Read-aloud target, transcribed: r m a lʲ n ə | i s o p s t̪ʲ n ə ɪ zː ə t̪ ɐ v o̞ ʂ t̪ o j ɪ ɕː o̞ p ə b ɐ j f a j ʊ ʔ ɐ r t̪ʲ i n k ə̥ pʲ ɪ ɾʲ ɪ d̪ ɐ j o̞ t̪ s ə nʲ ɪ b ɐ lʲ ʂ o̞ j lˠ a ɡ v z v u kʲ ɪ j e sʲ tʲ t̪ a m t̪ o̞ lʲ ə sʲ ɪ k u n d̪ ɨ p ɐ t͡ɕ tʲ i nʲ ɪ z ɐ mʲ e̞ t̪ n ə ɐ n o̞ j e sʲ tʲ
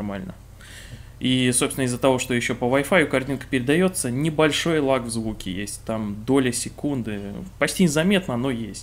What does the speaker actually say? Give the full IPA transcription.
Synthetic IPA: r m a lʲ n ə | i s o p s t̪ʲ n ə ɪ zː ə t̪ ɐ v o̞ ʂ t̪ o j ɪ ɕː o̞ p ə v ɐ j f a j ʊ k ɐ r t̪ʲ i n k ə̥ pʲ ɪ ɾʲ ɪ d̪ ɐ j o̞ t̪ s ə nʲ ɪ b ɐ lʲ ʂ o̞ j lˠ a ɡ v z v u kʲ ɪ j e sʲ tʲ t̪ a m d̪ o̞ lʲ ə sʲ ɪ k u n d̪ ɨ p ɐ t͡ɕ tʲ i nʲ ɪ z ɐ mʲ e̞ t̪ n ə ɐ n o̞ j e sʲ tʲ

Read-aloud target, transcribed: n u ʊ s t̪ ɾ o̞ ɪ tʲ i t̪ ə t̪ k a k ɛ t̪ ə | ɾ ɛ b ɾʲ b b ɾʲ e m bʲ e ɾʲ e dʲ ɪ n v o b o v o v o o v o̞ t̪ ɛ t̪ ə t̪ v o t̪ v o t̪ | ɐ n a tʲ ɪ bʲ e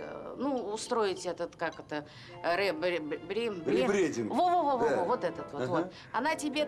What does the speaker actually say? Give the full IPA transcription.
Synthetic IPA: n u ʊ s t̪ ɾ o̞ ɪ tʲ ɛ t̪ ə t̪ k a k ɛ t̪ ə | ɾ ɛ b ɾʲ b b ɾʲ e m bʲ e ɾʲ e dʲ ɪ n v o v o v o v o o v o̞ t̪ ɛ t̪ ə t̪ v o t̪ v o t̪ | ɐ n a tʲ ɪ bʲ e

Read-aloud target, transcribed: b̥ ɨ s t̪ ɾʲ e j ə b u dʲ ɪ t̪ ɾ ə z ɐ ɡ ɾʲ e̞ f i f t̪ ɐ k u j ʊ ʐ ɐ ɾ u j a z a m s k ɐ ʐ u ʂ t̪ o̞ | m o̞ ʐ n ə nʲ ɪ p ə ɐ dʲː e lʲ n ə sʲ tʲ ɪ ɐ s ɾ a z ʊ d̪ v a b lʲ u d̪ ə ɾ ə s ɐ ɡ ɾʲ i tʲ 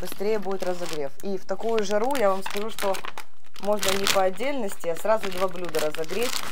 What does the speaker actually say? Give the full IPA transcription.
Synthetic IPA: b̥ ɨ s t̪ ɾʲ e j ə b u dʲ ɪ t̪ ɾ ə z ɐ ɡ ɾʲ e̞ f i f t̪ ɐ k u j ʊ ʐ ɐ ɾ u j a v a m s k ɐ ʐ u ʂ t̪ o̞ | m o̞ ʐ n ə nʲ ɪ p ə ɐ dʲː e lʲ n ə sʲ tʲ ɪ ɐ s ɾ a z ʊ d̪ v a b lʲ u d̪ ə ɾ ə z ɐ ɡ ɾʲ e tʲ

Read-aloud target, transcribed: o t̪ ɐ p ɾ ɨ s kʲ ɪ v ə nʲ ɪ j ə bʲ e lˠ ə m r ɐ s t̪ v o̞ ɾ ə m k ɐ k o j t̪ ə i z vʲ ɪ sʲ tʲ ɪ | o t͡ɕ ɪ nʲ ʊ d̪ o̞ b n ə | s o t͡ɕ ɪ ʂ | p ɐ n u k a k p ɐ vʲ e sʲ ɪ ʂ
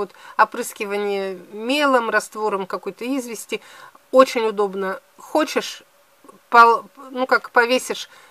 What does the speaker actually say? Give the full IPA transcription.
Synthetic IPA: o t̪ ɐ p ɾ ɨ s kʲ ɪ v ə nʲ ɪ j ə mʲ e lˠ ə m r ɐ s t̪ v o̞ ɾ ə m k ɐ k o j t̪ ə i z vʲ ɪ sʲ tʲ ɪ | o t͡ɕ ɪ nʲ ʊ d̪ o̞ b n ə | x o t͡ɕ ɪ ʂ | p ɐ n u k a k p ɐ vʲ e sʲ ɪ ʂ

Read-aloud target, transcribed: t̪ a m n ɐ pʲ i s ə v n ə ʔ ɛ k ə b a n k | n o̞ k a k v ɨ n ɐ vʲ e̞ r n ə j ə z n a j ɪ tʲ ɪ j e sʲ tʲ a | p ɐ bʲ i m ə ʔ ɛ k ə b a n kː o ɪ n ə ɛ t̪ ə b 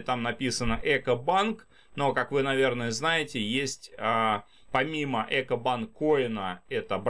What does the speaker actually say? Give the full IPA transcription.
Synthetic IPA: t̪ a m n ɐ pʲ i s ə n ə ʔ ɛ k ə b a n k | n o̞ k a k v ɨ n ɐ vʲ e̞ r n ə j ə z n a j ɪ tʲ ɪ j e sʲ tʲ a | p ɐ mʲ i m ə ʔ ɛ k ə b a n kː o ɪ n ə ɛ t̪ ə b

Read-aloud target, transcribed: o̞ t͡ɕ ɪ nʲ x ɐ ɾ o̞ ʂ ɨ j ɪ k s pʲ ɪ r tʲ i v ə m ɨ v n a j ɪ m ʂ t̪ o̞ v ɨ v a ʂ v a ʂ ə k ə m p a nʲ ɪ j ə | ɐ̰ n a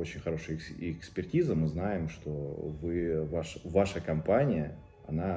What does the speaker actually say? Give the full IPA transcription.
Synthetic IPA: o̞ t͡ɕ ɪ nʲ x ɐ ɾ o̞ ʂ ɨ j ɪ k s pʲ ɪ r tʲ i z ə m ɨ z n a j ɪ m ʂ t̪ o̞ v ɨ v a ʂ v a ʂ ə k ɐ m p a nʲ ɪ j ə | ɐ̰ n a

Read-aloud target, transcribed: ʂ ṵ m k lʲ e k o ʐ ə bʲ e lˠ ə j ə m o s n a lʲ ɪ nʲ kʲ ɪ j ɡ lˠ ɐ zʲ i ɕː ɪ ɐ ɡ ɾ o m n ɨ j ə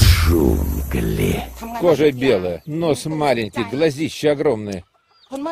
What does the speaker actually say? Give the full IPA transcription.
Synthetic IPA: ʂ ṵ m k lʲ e k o ʐ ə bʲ e lˠ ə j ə n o s m a lʲ ɪ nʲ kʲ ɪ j ɡ lˠ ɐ zʲ i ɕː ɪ ɐ ɡ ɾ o m n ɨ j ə

